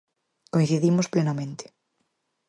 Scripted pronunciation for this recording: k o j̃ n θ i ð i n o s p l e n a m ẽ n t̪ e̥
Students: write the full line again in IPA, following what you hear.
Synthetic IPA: k o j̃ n θ i ð i m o s p l e n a m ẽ n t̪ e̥